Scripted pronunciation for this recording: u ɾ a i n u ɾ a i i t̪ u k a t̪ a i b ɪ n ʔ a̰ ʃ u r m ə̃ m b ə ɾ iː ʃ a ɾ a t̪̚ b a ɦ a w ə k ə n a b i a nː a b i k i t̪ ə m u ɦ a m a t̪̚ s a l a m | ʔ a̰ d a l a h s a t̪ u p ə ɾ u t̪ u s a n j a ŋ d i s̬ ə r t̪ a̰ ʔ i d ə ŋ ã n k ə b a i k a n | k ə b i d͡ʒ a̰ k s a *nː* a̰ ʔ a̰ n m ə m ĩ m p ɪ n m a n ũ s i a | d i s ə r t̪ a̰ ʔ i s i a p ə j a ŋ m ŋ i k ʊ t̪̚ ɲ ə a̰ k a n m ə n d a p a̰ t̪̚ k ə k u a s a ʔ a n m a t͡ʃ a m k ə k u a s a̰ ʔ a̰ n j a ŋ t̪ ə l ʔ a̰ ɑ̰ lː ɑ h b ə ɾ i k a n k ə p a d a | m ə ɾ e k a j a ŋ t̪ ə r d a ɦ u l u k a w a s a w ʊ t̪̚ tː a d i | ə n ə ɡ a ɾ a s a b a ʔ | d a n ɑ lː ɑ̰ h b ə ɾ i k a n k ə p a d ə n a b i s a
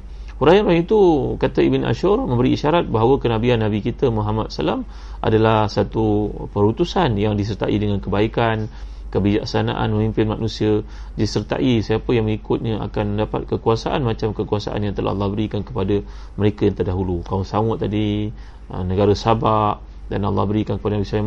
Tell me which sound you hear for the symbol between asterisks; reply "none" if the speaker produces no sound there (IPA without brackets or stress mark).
n